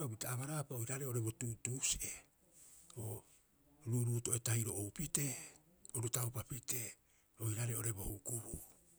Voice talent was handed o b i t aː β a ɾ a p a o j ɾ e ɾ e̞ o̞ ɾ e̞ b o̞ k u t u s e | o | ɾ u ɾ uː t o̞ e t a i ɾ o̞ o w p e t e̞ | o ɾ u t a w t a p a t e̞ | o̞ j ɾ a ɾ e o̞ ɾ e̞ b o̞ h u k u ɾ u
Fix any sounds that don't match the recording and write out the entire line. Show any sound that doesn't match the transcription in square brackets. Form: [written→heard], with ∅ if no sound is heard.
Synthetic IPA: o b i t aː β a ɾ a p a o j ɾ [e→a] ɾ e̞ o̞ ɾ e̞ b o̞ [k→t] u t u s e | o | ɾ u ɾ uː t o̞ e t a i ɾ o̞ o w p [e→i] t e̞ | o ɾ u t a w [t→p] a p [a→i] t e̞ | o̞ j ɾ a ɾ e o̞ ɾ e̞ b o̞ h u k u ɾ u